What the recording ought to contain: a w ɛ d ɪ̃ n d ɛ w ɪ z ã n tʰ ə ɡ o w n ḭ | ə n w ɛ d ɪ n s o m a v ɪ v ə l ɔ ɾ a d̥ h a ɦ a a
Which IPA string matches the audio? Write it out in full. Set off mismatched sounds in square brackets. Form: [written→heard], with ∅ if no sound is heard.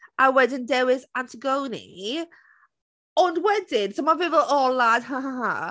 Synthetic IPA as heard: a w ɛ d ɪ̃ n d ɛ w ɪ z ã n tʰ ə ɡ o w n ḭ | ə n w ɛ d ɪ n s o m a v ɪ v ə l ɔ [ɾ→l] a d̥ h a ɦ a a